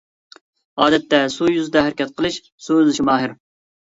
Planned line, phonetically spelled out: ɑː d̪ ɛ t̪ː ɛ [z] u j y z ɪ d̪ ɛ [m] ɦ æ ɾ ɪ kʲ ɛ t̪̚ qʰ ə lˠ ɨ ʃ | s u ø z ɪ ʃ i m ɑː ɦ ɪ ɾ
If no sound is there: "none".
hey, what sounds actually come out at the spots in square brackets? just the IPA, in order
s, none

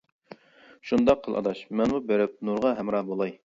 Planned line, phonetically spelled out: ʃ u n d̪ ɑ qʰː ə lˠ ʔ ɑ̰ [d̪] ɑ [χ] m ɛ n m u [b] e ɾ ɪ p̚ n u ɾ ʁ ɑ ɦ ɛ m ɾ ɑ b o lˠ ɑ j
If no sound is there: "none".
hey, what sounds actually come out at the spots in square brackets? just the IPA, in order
d̪, ʃ, b

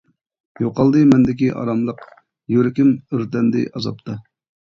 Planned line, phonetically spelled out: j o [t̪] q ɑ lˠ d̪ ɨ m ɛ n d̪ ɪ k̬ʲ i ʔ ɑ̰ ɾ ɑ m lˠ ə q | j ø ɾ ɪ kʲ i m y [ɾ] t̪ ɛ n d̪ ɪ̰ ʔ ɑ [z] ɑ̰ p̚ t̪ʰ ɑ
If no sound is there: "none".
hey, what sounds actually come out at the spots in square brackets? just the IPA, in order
none, ɾ, z

